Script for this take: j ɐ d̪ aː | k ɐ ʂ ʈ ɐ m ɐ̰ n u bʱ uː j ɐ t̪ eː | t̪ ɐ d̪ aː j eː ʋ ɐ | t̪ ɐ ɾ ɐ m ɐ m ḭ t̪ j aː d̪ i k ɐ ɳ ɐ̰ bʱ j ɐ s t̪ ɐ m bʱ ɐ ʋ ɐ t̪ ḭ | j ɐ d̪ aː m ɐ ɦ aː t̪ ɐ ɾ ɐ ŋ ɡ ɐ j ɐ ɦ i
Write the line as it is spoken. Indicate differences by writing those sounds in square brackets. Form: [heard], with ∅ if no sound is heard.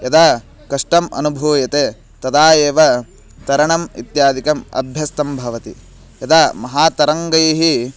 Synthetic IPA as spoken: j ɐ d̪ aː | k ɐ ʂ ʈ ɐ m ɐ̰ n u bʱ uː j ɐ t̪ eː | t̪ ɐ d̪ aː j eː ʋ ɐ | t̪ ɐ ɾ ɐ [ɳ] ɐ m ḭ t̪ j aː d̪ i k ɐ [m] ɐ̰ bʱ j ɐ s t̪ ɐ m bʱ ɐ ʋ ɐ t̪ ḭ | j ɐ d̪ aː m ɐ ɦ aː t̪ ɐ ɾ ɐ ŋ ɡ ɐ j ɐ ɦ i